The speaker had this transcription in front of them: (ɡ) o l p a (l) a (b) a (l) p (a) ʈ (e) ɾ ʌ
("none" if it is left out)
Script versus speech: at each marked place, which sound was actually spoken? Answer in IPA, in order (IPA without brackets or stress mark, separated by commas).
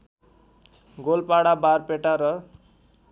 ɡ, ɽ, b, r, e, a